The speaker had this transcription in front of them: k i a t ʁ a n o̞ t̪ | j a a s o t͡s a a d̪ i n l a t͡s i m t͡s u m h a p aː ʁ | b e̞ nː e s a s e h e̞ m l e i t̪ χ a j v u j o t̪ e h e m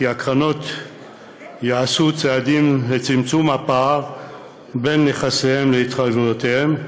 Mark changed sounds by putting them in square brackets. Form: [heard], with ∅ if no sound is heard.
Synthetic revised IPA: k i a [k] ʁ a n o̞ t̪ | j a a s [u] t͡s [e] a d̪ i [m] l [e] t͡s i m t͡s u m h a p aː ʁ | b e̞ nː e [χ] a s e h e̞ m l e i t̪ χ a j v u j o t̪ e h e m

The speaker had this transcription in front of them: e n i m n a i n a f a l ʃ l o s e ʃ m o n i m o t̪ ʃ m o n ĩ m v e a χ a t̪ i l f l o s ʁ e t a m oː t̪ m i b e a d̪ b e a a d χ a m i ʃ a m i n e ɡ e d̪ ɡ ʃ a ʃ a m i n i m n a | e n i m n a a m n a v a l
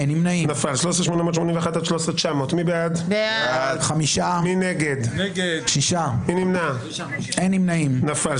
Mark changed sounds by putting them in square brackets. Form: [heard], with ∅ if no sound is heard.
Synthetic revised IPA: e n i m n a i n a f a l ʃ l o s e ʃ m o n [a] m o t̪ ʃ m o n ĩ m v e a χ a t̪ [a] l [ʃ] l o s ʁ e [t͡ʃ] a m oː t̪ m i b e a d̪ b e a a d χ a m i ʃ a m i n e ɡ e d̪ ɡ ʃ [i] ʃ a m i n i m n a | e n i m n a [i] m n a [f] a l

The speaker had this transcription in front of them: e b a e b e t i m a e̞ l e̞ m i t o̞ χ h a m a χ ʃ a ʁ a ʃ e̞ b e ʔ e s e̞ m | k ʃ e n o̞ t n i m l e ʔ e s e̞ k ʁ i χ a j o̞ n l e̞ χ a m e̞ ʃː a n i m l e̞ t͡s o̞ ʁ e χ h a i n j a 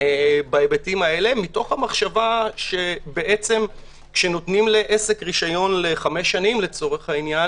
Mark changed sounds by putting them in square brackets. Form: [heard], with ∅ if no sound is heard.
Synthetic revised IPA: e b a e b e t i m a e̞ l e̞ m i t o̞ χ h a m a χ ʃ a [v] a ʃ e̞ b e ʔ e [t͡s] e̞ m | k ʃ e n o̞ t n i m l e ʔ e s e̞ k ʁ i [ʃ] a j o̞ n l e̞ χ a m e̞ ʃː a n i m l e̞ t͡s o̞ ʁ e χ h a i n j a

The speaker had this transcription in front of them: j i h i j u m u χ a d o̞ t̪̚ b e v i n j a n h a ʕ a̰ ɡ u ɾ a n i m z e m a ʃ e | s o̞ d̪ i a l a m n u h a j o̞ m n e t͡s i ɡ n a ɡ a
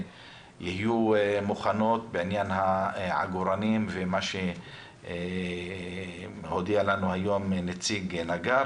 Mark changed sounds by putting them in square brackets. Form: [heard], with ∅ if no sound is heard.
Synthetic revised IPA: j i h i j u m u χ a [n] o̞ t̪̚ b e [ʕ] i n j a n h a ʕ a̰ ɡ u ɾ a n i m [v] e m a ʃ e | [h] o̞ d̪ i a l a [∅] n u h a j o̞ m n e t͡s i ɡ n a ɡ a

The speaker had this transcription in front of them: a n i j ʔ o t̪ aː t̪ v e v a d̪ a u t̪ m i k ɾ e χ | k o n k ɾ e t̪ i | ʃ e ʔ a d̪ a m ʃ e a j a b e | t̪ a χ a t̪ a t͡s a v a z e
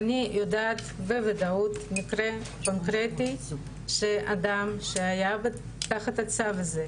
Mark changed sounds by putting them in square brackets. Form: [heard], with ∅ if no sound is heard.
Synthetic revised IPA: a n i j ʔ o [d̪] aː t̪ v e v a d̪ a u t̪ [n] i k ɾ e [∅] | k o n k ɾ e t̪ i | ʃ e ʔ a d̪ a m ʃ e a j a b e | t̪ a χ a t̪ a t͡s a v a z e

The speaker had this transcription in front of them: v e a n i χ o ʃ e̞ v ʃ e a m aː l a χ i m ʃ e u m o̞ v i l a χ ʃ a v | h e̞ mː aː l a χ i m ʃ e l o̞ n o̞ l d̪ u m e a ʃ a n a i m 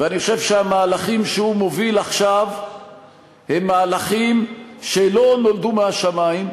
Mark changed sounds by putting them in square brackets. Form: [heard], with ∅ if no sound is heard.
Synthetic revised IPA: v e a n i χ o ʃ e̞ v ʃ e a m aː l a χ i m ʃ e u m o̞ v i l a χ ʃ a v | h e̞ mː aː l a χ i m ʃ e l o̞ n o̞ l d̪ u m e a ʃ a [m] a i m

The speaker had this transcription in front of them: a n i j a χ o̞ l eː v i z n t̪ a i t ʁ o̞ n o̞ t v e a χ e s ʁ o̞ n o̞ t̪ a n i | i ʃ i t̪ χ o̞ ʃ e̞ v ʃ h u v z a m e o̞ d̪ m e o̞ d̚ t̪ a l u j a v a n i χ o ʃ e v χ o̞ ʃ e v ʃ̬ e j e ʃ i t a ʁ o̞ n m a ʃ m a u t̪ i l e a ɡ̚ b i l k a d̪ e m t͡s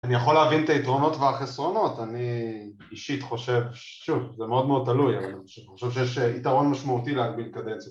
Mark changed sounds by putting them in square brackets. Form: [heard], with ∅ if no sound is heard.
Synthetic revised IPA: a n i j a χ o̞ l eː v i [∅] n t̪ a i t ʁ o̞ n o̞ t v e a χ e s ʁ o̞ n o̞ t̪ a n i | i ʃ i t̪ χ o̞ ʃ e̞ v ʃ [ʃ] u v z [e] m e o̞ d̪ m e o̞ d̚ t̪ a l u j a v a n i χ o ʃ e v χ o̞ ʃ e v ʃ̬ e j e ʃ i t a ʁ o̞ n m a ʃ m a u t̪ i l e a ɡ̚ b i l k a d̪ e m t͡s

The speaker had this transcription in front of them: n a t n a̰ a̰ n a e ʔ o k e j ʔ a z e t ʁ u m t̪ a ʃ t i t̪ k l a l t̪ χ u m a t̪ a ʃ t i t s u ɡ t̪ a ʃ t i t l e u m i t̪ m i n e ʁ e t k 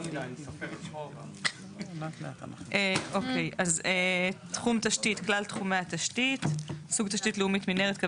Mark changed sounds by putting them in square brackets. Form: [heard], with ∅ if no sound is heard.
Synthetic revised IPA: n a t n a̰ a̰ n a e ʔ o k e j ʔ a z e t [χ] u m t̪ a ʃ t i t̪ k l a l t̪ χ u m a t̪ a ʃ t i t s u ɡ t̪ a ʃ t i t l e u m i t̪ m i n e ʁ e t k

